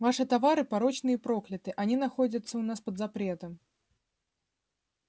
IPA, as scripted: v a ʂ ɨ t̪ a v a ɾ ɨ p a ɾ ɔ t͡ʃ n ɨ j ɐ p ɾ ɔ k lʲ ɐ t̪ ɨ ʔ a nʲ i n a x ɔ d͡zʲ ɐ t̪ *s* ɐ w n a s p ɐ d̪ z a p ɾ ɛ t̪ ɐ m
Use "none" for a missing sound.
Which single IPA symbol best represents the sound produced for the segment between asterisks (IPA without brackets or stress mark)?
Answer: sː